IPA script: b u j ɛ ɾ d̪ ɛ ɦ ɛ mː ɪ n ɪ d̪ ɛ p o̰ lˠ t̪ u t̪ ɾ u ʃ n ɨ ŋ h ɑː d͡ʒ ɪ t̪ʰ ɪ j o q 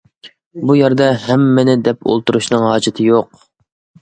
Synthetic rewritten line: b u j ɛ ɾ d̪ ɛ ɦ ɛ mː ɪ n ɪ d̪ ɛ p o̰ lˠ t̪ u ɾ u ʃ n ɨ ŋ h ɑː d͡ʒ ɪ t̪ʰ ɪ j o q